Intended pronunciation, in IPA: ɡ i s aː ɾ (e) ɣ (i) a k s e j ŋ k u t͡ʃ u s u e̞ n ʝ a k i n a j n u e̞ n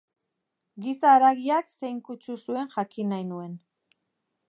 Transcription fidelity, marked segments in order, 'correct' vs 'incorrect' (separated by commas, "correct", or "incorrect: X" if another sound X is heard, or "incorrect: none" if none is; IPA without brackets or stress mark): incorrect: a, correct